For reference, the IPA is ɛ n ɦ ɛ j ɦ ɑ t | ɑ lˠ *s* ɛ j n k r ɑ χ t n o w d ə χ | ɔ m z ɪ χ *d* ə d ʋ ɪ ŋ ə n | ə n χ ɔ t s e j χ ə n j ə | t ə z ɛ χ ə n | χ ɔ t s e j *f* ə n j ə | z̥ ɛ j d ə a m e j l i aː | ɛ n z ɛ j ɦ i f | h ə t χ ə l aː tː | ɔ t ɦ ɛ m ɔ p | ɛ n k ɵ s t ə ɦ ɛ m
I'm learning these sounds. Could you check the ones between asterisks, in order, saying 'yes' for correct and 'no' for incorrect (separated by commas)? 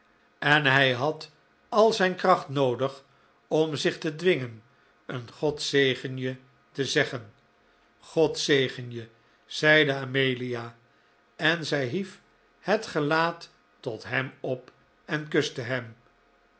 no, no, no